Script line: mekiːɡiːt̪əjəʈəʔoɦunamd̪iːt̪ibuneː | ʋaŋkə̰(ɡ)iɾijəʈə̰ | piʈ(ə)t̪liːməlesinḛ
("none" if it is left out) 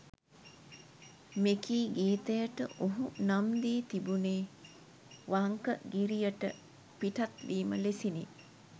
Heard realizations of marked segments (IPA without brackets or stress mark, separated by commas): ɡ, a